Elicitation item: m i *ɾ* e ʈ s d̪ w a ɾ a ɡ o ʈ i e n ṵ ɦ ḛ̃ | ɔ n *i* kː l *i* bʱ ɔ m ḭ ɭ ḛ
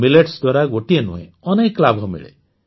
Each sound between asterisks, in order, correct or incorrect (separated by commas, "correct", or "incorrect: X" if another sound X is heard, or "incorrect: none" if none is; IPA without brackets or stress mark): incorrect: l, incorrect: e, incorrect: a